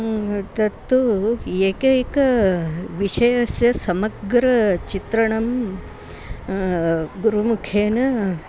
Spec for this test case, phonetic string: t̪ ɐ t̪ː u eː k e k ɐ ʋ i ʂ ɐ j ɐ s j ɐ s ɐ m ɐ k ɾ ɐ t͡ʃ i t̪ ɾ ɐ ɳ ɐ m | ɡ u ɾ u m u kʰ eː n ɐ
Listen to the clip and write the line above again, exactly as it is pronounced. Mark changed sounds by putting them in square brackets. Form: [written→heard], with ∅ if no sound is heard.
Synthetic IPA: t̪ ɐ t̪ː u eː k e k ɐ ʋ i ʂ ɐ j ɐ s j ɐ s ɐ m ɐ [k→ɡ] ɾ ɐ t͡ʃ i t̪ ɾ ɐ ɳ ɐ m | ɡ u ɾ u m u kʰ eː n ɐ